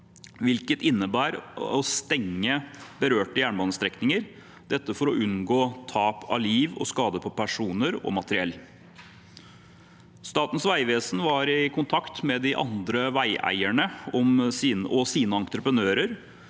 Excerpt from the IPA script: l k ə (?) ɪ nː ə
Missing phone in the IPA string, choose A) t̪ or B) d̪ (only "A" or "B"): A